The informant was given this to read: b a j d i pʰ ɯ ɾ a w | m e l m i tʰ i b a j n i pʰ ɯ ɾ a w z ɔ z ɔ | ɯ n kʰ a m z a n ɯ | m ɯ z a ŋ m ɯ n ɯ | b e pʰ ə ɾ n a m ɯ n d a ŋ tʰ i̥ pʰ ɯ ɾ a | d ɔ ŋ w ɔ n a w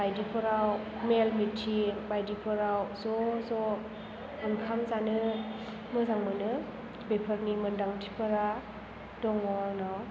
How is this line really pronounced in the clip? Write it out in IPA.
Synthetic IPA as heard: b a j d i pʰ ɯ ɾ a w | m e l m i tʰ i b a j d i pʰ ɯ ɾ a w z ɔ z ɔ | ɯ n kʰ a m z a n ɯ | m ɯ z a ŋ m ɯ n ɯ | b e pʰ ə ɾ n i m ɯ n d a ŋ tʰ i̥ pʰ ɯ ɾ a | d ɔ ŋ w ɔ n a w